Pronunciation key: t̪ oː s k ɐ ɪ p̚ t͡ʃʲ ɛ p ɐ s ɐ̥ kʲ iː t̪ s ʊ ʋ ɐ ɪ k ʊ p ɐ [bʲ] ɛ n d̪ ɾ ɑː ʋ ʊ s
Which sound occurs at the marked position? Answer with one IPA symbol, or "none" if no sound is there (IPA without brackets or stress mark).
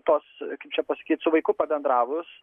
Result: bʲ